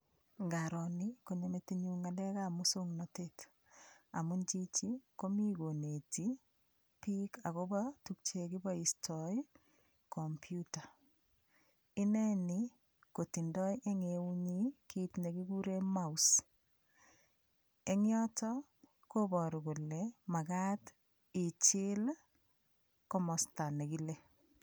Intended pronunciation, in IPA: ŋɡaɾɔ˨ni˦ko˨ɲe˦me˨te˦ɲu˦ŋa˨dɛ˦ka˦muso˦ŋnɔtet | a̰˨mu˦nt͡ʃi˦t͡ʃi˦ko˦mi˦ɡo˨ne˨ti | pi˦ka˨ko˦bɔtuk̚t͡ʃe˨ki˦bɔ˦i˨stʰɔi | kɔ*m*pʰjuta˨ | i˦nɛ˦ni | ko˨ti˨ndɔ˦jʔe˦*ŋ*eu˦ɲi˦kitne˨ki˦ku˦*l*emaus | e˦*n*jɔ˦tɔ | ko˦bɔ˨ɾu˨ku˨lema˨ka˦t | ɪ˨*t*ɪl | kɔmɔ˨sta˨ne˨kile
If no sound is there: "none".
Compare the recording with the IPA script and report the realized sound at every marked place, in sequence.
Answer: m, ŋ, ɾ, ŋ, t͡ʃ

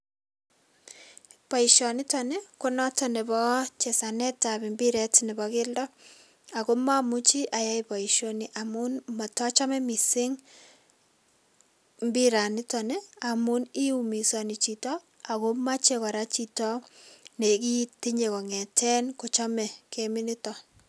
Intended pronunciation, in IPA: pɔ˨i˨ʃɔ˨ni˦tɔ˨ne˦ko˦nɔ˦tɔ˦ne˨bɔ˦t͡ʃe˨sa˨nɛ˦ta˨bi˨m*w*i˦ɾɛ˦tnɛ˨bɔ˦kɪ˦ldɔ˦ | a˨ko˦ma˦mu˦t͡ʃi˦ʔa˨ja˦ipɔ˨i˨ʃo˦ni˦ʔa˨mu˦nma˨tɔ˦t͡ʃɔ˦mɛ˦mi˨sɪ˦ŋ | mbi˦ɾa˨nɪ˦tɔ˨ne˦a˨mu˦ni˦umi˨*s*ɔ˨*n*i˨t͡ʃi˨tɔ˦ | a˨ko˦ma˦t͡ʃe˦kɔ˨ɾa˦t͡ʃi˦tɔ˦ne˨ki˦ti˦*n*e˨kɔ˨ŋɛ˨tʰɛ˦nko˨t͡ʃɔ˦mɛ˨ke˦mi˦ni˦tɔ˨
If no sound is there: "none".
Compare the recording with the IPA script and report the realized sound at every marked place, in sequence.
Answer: b, s, n, ɲ

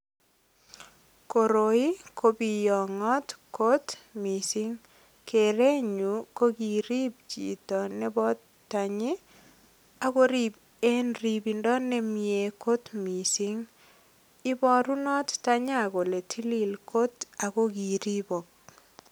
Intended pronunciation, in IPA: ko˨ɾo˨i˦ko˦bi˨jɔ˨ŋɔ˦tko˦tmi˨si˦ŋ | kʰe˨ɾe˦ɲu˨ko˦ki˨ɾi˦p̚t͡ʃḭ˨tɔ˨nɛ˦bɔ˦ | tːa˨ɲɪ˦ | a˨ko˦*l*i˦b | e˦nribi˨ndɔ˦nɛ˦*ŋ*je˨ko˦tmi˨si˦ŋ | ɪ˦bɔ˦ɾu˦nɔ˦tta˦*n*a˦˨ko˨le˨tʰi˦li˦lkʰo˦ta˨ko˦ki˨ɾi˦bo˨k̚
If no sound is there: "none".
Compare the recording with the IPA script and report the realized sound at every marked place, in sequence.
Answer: ɾ, m, ɲ

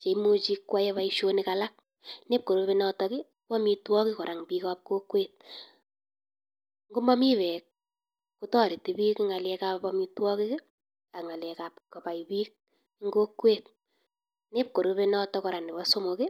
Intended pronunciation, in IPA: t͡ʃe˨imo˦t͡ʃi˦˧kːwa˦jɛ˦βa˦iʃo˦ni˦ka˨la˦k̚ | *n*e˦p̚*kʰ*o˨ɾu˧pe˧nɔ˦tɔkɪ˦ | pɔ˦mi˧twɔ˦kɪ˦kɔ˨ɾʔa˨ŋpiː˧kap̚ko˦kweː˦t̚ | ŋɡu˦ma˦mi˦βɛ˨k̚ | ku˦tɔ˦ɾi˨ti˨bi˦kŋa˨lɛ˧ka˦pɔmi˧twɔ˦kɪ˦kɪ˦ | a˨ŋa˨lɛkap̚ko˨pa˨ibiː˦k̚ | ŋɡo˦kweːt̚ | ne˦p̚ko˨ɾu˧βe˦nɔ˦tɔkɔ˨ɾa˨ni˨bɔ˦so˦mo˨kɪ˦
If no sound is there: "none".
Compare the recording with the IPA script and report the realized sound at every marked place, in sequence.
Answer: n, k

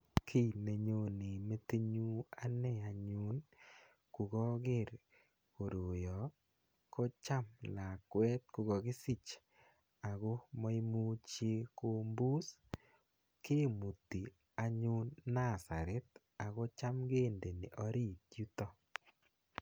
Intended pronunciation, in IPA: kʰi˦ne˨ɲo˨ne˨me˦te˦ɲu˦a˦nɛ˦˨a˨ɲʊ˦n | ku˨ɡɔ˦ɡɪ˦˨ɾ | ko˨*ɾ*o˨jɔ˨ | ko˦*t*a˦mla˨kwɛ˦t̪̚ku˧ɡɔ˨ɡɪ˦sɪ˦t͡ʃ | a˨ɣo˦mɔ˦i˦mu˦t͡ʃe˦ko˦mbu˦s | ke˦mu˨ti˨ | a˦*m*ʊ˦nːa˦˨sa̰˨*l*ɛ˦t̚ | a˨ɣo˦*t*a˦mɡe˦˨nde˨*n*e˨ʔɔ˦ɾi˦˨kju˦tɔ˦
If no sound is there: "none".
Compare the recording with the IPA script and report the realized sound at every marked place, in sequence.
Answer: ɾ, t͡ʃ, ɲ, ɾ, t͡ʃ, n

